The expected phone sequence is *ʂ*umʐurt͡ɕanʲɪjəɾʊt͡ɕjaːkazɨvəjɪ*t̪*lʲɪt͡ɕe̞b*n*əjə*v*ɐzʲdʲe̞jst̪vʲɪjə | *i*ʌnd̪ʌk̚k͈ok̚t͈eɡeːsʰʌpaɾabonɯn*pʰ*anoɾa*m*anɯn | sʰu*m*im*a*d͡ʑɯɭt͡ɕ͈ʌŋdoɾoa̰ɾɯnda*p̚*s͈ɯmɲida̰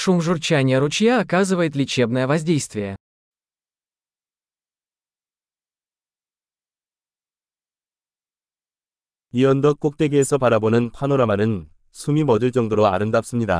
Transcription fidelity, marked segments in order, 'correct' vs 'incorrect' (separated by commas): correct, correct, correct, correct, correct, correct, correct, correct, incorrect, correct